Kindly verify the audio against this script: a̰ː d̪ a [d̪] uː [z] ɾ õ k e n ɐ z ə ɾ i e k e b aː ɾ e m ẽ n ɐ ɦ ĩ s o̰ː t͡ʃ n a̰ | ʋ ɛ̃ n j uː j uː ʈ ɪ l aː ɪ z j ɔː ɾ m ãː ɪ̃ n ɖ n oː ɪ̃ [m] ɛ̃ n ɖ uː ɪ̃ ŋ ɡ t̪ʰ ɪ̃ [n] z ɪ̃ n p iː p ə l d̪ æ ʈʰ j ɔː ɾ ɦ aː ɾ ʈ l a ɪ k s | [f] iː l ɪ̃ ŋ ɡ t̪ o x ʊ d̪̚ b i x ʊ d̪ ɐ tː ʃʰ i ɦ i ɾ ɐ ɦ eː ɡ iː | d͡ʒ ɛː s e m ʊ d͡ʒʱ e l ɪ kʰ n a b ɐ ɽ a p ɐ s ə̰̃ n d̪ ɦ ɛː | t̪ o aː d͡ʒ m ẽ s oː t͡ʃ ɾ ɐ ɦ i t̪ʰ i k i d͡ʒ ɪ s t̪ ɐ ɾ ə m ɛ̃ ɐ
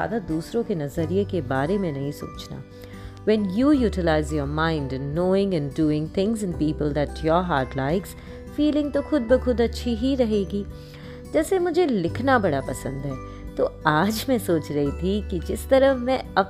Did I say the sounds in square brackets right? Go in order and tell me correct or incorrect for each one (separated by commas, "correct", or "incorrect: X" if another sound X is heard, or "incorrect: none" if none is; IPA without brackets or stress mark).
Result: correct, incorrect: s, incorrect: ŋ, incorrect: ŋ, correct